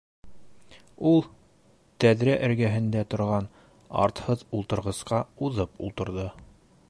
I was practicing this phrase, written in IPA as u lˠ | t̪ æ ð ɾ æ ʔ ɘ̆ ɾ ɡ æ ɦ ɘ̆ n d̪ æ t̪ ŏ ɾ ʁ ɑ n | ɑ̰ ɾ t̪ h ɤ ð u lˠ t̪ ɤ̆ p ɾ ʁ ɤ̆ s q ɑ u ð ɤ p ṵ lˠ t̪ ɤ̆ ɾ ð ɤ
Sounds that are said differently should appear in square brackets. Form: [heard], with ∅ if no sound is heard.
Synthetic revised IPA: u lˠ | t̪ æ ð ɾ æ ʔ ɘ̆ ɾ ɡ æ ɦ ɘ̆ n d̪ æ t̪ ŏ ɾ ʁ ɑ n | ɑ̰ ɾ t̪ h ɤ ð u lˠ t̪ ɤ̆ [∅] ɾ ʁ ɤ̆ s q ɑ u ð ɤ p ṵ lˠ t̪ ɤ̆ ɾ ð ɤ